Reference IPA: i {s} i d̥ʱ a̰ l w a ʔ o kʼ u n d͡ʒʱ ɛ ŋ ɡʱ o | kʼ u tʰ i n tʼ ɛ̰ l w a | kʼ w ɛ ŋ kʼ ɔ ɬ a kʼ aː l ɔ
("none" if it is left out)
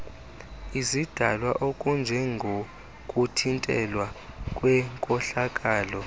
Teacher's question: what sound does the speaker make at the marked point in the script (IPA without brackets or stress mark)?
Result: z